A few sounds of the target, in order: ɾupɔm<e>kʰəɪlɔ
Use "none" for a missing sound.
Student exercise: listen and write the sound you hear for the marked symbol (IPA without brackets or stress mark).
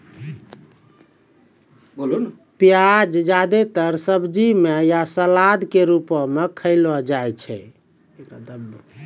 e